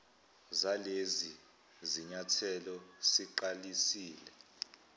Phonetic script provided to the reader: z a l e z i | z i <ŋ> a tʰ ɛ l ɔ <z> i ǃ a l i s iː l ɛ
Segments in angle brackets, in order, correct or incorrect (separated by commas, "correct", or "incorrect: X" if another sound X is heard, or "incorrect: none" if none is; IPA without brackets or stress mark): incorrect: ɲ, incorrect: s